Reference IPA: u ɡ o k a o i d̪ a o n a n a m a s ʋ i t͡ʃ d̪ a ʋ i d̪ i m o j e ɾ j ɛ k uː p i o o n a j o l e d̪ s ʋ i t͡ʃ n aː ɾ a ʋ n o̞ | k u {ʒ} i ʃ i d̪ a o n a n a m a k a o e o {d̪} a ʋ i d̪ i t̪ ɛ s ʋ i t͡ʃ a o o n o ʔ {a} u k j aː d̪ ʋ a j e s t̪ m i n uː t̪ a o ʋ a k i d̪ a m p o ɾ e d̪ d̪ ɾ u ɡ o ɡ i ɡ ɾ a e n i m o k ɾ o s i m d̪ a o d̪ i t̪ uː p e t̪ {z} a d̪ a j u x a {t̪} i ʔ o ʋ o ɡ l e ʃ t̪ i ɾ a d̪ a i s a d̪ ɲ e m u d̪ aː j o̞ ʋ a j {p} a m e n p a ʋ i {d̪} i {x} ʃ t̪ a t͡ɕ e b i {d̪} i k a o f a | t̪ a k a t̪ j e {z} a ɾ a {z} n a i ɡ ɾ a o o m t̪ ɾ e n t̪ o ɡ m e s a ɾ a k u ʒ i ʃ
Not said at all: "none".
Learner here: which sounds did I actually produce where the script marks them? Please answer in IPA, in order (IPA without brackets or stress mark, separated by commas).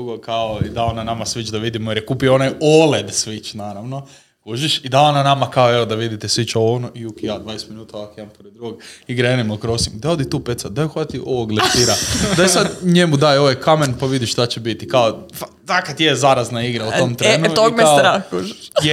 ʒ, d̪, i, s, t̪, k, d̪, ʃ, t̪, z, z